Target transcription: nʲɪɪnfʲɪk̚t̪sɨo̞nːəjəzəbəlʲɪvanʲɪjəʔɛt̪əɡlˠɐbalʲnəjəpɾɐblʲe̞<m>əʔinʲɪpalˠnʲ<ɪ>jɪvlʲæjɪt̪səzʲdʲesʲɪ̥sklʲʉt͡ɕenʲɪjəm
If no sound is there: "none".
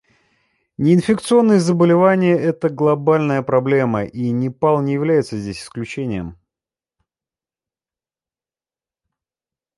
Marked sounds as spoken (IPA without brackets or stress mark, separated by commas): m, ɪ